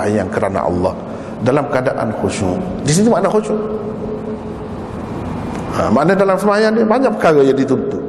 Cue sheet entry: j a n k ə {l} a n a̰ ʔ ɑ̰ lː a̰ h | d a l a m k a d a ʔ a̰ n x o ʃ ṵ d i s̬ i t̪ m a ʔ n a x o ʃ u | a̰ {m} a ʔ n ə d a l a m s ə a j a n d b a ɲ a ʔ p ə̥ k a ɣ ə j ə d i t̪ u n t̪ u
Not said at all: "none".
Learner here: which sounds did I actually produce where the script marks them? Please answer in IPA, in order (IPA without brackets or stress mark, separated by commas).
ɾ, m